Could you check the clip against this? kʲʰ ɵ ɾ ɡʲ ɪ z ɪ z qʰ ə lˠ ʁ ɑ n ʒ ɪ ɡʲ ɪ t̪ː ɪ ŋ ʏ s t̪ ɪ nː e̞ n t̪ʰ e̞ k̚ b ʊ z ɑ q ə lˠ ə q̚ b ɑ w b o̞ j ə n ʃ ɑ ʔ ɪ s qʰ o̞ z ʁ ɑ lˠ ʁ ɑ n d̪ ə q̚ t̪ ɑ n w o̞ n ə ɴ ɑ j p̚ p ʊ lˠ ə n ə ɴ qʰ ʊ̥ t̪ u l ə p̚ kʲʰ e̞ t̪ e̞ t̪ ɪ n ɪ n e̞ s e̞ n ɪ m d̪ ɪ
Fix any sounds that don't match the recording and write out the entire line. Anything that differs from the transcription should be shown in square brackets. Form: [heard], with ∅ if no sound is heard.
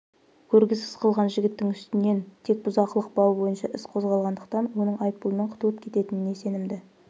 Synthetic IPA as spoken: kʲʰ ɵ ɾ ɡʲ ɪ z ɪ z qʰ ə lˠ ʁ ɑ n ʒ ɪ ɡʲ ɪ t̪ː ɪ ŋ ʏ s t̪ ɪ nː e̞ n t̪ʰ e̞ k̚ b ʊ z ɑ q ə lˠ ə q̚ b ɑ w b o̞ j ə n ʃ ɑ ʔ ɪ s qʰ o̞ z ʁ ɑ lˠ ʁ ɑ n d̪ ə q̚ t̪ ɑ n w o̞ n ə ɴ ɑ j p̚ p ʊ lˠ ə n ə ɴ qʰ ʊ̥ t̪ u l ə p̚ kʲʰ e̞ t̪ e̞ t̪ ɪ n ɪ n e̞ s e̞ n ɪ m d̪ ɪ